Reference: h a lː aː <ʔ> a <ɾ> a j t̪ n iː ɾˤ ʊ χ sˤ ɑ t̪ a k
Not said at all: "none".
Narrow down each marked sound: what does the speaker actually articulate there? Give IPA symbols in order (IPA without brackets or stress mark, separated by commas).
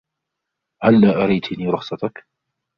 ʔ, ɾ